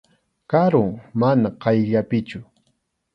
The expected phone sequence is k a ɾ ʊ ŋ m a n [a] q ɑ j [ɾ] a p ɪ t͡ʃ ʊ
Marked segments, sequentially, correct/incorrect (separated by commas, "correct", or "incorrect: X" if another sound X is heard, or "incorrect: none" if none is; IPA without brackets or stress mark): correct, incorrect: ʎ